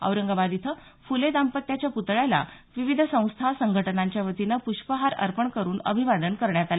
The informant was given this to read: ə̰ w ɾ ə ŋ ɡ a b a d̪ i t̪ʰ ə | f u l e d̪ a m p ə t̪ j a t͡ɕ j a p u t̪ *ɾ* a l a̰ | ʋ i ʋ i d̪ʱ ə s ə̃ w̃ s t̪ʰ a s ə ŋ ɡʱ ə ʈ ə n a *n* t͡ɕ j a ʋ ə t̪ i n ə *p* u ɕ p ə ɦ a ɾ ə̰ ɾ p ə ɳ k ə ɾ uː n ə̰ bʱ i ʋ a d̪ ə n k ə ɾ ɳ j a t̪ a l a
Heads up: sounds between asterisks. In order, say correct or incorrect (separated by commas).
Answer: incorrect, incorrect, correct